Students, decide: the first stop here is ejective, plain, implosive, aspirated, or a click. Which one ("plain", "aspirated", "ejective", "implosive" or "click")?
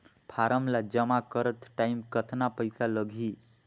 aspirated